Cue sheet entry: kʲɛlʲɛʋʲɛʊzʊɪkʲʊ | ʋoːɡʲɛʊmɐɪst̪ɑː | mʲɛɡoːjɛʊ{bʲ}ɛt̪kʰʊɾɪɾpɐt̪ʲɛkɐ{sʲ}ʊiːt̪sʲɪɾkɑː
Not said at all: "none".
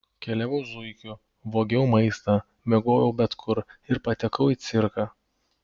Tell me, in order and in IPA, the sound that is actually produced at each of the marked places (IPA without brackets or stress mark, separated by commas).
bʲ, none